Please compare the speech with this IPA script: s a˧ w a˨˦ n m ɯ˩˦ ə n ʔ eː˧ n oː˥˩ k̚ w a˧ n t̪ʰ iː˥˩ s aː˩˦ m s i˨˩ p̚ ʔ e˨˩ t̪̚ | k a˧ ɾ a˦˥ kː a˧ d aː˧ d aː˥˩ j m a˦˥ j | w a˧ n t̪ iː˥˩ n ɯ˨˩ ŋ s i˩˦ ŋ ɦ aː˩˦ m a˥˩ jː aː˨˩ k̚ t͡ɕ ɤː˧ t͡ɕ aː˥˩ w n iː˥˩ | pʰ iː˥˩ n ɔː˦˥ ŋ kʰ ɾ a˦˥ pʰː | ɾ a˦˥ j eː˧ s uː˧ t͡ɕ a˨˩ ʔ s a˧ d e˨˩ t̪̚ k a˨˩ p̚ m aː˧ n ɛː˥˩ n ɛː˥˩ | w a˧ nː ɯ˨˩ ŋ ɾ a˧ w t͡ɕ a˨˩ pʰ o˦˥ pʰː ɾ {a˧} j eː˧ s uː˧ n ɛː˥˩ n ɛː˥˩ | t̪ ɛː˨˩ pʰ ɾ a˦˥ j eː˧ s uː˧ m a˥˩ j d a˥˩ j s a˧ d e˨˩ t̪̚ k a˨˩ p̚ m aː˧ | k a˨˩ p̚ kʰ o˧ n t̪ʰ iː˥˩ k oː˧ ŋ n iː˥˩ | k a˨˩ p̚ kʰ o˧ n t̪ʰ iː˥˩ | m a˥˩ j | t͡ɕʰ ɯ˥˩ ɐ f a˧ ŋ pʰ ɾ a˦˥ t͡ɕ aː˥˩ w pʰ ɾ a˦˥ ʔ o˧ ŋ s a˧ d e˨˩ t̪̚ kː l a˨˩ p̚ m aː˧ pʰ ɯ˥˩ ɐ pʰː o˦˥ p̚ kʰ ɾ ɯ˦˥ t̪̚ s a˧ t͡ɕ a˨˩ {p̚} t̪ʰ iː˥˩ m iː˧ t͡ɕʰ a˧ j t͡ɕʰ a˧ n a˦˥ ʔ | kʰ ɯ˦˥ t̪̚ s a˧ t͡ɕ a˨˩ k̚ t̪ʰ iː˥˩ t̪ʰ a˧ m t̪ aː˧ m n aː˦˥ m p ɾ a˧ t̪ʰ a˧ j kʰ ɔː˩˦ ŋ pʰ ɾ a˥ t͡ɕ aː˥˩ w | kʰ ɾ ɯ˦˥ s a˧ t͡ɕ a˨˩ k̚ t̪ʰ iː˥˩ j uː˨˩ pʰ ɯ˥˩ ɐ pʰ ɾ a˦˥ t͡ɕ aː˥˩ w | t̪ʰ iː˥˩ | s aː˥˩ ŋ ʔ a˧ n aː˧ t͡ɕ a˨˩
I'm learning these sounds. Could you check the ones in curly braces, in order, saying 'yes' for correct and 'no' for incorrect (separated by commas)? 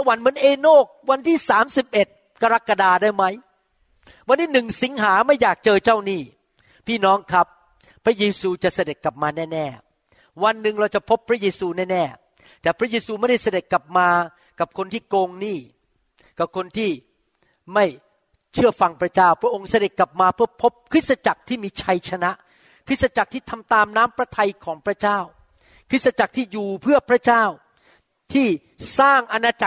no, no